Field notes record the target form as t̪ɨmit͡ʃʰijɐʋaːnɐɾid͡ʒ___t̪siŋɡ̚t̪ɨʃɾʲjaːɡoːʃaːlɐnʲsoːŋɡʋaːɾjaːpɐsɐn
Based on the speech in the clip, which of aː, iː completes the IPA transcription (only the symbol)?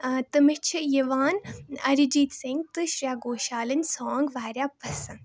iː